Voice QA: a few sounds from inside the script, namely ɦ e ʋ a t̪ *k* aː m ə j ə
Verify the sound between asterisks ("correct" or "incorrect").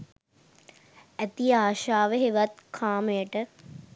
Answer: incorrect